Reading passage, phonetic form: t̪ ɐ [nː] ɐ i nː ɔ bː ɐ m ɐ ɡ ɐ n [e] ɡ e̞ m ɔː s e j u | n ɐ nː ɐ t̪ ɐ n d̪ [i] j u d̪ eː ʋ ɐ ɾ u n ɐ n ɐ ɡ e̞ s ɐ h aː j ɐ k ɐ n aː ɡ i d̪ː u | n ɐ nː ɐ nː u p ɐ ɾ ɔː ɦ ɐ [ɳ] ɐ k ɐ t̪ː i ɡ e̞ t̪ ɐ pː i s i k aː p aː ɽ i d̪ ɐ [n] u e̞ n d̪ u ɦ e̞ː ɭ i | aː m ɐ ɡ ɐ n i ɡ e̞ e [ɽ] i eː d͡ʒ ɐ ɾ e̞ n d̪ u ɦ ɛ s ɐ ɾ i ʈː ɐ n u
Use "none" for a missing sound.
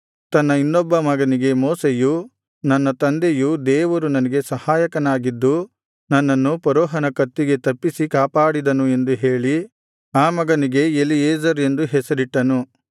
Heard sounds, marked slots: nː, i, e, n, n, l

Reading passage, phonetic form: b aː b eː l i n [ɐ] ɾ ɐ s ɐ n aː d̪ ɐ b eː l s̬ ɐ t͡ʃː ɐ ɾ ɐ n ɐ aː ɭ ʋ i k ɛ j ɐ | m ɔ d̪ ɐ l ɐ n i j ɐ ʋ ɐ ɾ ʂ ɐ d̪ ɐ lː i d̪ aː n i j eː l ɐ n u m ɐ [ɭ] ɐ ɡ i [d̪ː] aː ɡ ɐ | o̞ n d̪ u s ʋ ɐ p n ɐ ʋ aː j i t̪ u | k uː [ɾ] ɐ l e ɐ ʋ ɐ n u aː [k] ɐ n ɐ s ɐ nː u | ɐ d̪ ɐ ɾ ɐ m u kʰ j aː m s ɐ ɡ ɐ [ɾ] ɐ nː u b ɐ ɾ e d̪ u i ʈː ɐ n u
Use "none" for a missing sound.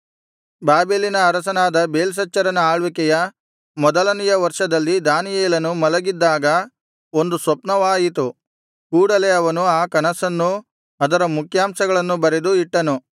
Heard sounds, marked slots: ɐː, l, d̪ː, ɽ, k, ɭ

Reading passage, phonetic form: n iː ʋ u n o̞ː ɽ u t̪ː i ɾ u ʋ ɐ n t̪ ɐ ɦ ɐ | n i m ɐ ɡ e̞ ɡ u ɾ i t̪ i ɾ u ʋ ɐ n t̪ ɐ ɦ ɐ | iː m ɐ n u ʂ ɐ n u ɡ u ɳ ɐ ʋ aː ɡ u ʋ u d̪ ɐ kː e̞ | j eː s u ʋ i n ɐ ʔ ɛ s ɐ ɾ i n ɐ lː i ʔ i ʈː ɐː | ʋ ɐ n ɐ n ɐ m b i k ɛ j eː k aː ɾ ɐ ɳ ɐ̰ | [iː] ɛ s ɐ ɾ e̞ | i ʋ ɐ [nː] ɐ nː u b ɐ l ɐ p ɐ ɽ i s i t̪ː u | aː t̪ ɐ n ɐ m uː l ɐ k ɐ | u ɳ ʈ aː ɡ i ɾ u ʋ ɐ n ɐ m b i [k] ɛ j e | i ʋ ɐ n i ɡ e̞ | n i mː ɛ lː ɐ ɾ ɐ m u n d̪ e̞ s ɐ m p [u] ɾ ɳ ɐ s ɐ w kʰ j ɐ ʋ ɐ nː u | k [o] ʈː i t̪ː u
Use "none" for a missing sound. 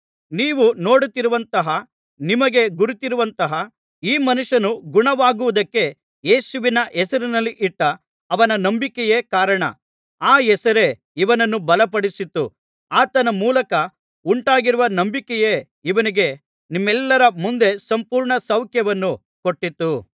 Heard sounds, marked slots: aː, n, k, uː, o

